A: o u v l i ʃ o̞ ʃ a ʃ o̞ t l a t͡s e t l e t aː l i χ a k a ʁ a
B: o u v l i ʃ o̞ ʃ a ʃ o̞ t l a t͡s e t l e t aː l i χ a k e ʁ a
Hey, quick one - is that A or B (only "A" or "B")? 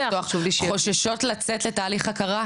A